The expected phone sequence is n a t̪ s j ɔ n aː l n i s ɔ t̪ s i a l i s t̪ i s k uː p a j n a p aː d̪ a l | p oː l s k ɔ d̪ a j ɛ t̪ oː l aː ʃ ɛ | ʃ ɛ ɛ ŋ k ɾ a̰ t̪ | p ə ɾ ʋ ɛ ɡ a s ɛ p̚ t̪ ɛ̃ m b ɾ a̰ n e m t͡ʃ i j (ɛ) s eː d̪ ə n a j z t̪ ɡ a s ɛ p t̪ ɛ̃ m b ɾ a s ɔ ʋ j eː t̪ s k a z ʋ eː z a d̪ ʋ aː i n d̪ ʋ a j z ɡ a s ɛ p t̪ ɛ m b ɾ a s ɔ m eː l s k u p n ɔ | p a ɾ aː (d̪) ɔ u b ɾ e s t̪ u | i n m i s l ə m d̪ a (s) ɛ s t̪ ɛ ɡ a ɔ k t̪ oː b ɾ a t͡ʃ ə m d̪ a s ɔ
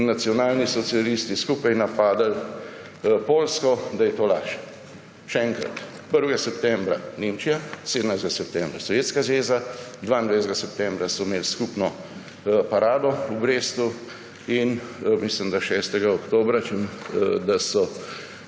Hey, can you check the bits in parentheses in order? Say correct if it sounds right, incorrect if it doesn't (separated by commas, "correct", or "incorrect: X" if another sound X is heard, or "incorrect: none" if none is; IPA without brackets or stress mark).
incorrect: a, correct, incorrect: ʃ